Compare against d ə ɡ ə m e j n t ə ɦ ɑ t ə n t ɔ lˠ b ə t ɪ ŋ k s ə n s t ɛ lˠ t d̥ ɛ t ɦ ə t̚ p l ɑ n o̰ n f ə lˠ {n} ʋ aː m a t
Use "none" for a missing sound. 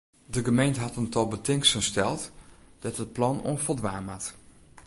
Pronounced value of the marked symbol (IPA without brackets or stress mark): d